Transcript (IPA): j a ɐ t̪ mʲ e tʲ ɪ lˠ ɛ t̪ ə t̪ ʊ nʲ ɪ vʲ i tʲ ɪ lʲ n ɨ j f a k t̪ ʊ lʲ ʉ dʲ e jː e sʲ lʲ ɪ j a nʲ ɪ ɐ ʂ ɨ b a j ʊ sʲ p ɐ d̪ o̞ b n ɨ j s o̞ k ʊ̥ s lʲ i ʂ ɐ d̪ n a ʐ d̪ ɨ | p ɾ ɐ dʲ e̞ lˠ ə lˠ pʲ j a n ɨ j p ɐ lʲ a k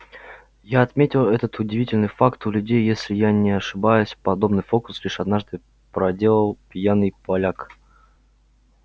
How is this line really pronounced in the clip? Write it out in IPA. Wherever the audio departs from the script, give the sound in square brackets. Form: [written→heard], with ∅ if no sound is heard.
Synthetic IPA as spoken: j a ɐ t̪ mʲ e tʲ ɪ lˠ ɛ t̪ ə t̪ ʊ [nʲ→dʲ] ɪ vʲ i tʲ ɪ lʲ n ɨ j f a k t̪ ʊ lʲ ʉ dʲ e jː e sʲ lʲ ɪ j a nʲ ɪ ɐ ʂ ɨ b a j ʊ sʲ p ɐ d̪ o̞ b n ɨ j [s→f] o̞ k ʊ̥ s lʲ i ʂ ɐ d̪ n a ʐ d̪ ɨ | p ɾ ɐ dʲ e̞ lˠ ə lˠ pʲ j a n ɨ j p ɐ lʲ a k